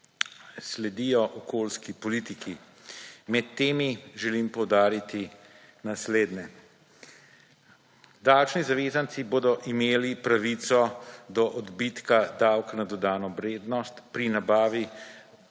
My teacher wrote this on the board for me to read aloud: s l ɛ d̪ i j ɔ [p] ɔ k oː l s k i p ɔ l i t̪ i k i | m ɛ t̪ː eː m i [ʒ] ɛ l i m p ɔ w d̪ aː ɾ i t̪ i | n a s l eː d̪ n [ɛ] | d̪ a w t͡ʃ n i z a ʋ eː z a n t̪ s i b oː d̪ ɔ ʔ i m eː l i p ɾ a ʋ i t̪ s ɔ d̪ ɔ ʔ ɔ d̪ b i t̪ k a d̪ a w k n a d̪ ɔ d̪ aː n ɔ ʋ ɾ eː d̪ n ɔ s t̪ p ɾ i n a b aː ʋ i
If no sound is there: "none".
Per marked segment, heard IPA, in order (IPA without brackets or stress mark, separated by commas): ʔ, ʒ, ɛ